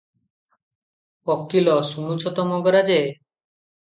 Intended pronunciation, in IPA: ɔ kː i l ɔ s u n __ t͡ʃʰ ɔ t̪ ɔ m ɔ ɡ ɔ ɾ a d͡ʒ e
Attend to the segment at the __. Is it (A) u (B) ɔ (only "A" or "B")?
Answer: A